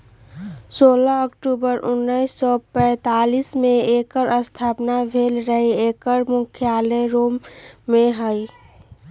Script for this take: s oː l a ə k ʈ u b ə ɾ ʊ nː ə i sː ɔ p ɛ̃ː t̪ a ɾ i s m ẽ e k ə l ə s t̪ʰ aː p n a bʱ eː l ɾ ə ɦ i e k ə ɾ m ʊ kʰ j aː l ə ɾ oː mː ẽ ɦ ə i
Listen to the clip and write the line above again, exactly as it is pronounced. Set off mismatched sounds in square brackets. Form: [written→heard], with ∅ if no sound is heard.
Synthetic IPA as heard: s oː l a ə k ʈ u b ə ɾ ʊ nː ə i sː ɔ p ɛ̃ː t̪ a [ɾ→l] i s m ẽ e k ə [l→ɾ] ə s t̪ʰ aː p n a bʱ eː l ɾ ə ɦ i e k ə ɾ m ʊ kʰ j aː l ə ɾ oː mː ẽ ɦ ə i